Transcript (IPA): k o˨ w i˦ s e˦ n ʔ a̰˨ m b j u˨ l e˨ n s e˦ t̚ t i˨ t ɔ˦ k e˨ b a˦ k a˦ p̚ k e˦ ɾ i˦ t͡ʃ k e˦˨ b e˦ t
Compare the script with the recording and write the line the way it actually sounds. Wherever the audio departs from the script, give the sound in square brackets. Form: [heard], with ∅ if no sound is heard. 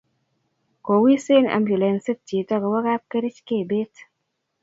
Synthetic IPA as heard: k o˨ w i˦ s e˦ n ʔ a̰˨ m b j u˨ l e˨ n s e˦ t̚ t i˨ t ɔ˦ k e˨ [w] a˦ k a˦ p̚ k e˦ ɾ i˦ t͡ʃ k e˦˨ b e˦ t